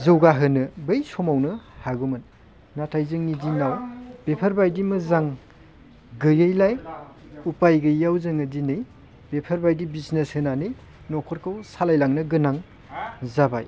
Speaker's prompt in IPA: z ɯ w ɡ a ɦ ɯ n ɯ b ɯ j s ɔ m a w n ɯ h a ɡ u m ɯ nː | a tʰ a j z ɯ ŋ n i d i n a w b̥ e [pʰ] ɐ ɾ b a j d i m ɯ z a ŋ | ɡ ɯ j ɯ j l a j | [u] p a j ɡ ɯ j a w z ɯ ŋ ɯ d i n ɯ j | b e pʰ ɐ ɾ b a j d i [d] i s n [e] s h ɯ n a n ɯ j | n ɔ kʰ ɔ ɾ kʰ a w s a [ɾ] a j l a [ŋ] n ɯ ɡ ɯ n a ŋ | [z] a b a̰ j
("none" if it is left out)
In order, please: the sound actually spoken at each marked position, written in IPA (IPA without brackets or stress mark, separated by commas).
pʰ, u, b, e, l, ŋ, z